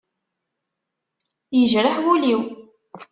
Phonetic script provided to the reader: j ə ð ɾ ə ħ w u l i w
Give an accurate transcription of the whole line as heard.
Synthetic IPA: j ə ʒ ɾ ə ħ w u l i w

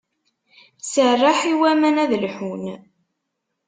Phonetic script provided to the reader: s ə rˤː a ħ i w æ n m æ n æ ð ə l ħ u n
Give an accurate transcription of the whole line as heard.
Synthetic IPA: s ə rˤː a ħ i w æ m æ n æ ð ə l ħ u n

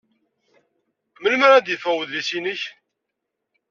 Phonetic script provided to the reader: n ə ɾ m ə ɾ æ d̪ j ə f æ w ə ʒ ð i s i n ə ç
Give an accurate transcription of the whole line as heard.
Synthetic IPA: m ə l m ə ɾ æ d̪ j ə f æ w ə ð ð i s i n ə ç

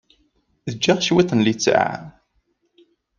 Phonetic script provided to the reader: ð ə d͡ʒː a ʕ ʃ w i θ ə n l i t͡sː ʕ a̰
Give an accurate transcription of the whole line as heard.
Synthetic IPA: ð ə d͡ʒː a ʁ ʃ w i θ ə n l i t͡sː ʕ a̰

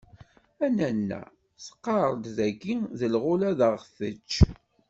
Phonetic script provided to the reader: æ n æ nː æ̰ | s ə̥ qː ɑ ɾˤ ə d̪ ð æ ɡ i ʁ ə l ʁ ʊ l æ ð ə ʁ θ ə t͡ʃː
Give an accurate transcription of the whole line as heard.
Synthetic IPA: æ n æ nː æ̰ | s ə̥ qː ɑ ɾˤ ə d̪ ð æ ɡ i ð ə l ʁ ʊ l æ ð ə ʁ θ ə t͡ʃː

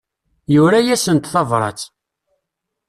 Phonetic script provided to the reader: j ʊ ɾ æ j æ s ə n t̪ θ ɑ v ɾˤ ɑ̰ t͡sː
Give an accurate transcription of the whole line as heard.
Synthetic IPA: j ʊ ɾ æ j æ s ə n t̪ θ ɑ v ɾˤ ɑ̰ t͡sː

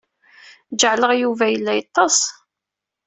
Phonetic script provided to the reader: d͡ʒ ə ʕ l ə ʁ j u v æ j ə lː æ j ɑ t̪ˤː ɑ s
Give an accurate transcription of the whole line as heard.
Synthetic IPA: d͡ʒ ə ʕ l ə ʁ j u v æ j ə lː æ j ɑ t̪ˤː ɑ s

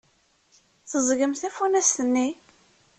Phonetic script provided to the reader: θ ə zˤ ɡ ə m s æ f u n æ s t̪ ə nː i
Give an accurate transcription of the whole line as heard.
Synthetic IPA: θ ə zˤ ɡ ə m θ æ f u n æ s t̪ ə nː i

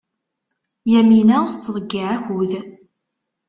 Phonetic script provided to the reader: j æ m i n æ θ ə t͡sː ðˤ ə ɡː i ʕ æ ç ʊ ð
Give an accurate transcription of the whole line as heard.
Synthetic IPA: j æ m i n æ θ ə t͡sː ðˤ ə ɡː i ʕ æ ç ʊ ð

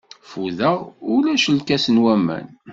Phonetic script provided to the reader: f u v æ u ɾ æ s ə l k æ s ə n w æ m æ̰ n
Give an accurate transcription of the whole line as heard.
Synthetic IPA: f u ð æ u l æ ʃ ə l k æ s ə n w æ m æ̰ n

